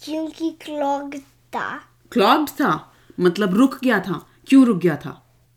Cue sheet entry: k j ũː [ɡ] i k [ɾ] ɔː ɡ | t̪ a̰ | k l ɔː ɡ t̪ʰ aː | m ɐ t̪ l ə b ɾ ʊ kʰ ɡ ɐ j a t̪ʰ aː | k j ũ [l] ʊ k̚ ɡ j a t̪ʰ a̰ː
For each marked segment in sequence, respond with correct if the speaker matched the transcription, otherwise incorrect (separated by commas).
incorrect, incorrect, incorrect